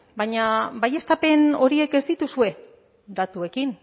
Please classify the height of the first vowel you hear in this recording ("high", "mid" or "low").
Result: low